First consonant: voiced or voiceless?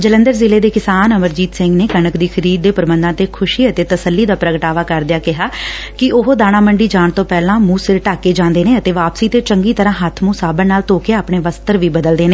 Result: voiced